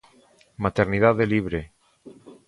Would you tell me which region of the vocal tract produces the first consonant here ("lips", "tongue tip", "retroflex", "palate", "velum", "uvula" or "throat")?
lips